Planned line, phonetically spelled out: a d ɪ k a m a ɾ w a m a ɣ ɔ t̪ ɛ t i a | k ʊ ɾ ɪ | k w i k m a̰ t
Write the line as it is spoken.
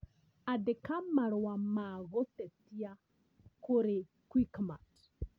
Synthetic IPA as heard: a d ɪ k a m a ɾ w a m a ɣ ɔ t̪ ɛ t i a | k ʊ ɾ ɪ | k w i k m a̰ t